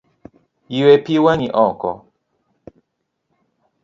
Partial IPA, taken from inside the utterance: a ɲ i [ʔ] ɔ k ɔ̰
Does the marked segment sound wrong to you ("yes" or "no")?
no